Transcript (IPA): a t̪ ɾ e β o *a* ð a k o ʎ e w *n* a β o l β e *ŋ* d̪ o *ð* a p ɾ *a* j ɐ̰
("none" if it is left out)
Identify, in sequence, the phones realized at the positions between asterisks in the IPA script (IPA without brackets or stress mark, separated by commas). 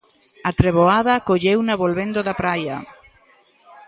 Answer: a, n, n, ð, a